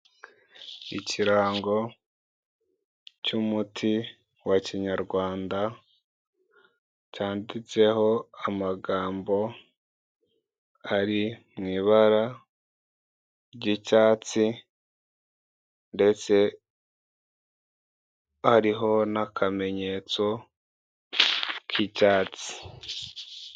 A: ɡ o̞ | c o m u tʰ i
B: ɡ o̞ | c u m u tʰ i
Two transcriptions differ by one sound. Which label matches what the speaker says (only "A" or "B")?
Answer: B